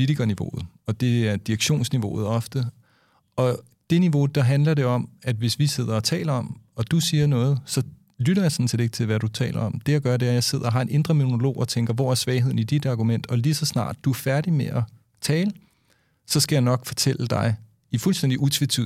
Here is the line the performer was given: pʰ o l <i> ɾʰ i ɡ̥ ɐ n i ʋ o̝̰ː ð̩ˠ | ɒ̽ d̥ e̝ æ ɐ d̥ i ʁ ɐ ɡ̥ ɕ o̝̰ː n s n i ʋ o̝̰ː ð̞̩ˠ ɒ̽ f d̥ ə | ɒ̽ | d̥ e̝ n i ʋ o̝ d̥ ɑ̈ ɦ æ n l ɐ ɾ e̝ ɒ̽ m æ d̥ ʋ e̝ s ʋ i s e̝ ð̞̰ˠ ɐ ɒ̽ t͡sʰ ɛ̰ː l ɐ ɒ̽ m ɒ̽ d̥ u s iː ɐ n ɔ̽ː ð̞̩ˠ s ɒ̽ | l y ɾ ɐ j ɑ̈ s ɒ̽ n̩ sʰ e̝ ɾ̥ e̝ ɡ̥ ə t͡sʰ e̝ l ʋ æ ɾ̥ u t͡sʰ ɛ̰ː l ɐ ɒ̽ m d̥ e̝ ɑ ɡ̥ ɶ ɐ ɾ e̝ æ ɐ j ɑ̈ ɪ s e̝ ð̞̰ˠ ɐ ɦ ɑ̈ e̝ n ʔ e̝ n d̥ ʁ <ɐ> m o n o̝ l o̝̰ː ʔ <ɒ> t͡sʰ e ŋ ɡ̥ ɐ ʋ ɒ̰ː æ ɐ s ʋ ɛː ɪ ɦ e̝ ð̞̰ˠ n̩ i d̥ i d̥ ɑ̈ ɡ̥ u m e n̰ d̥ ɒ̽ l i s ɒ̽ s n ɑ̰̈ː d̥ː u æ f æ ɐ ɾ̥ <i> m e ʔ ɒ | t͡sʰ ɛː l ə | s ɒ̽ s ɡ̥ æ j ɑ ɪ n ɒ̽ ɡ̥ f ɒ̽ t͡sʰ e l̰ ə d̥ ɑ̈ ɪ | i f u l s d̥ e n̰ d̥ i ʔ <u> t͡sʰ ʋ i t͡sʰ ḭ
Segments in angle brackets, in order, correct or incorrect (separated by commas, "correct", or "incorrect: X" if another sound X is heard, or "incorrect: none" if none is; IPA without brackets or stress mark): correct, correct, correct, correct, correct